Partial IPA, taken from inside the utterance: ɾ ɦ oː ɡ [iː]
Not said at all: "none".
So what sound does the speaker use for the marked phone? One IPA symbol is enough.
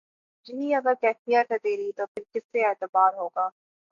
aː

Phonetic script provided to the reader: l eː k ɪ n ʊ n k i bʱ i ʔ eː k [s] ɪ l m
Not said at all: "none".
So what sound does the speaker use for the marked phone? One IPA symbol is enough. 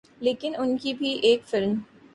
f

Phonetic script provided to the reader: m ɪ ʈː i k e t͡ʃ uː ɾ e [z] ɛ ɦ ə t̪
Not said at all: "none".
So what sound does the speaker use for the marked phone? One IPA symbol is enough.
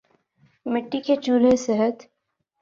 s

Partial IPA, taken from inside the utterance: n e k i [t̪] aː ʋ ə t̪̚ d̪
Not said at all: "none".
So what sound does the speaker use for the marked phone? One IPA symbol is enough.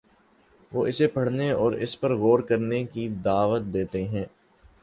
d̪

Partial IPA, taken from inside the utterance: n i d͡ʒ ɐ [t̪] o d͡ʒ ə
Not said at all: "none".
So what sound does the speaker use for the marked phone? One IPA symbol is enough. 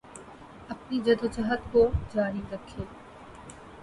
d̪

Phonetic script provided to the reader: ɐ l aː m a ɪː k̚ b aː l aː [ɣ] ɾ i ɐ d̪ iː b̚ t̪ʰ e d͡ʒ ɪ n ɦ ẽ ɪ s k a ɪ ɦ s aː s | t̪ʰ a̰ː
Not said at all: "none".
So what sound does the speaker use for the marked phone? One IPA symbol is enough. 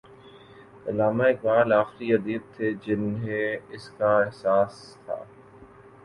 x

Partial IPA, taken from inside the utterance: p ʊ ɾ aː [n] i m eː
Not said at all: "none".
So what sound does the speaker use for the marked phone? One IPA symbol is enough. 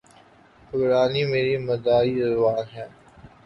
n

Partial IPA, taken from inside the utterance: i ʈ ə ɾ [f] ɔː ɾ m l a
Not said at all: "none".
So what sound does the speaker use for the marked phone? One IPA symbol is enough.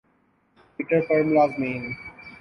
f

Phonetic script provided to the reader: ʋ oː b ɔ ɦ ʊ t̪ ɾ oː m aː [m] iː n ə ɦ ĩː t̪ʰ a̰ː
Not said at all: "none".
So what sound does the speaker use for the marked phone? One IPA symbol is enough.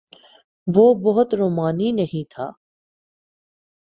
n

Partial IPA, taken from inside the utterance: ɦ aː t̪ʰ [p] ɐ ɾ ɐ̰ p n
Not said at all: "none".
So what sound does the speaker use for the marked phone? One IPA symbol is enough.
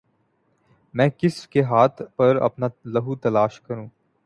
p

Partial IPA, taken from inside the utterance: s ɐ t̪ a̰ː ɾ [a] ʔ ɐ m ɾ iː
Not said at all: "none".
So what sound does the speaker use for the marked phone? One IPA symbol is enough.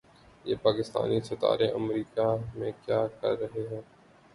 e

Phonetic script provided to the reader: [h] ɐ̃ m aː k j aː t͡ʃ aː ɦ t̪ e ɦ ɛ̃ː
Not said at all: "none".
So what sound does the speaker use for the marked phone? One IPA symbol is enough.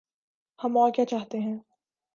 h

